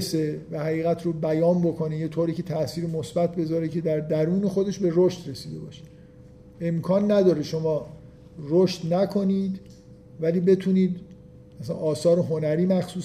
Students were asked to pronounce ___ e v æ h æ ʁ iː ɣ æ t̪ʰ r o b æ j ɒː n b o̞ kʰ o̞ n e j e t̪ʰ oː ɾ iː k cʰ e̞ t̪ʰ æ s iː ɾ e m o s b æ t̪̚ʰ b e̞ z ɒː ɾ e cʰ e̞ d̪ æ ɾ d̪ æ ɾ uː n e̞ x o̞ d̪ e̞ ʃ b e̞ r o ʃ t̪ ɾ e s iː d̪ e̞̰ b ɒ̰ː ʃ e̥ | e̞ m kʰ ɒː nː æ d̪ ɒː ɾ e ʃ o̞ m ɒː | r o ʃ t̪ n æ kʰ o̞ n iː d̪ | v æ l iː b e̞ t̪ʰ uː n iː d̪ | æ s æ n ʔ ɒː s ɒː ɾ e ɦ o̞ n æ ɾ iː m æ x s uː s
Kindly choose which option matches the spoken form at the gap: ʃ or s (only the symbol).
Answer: s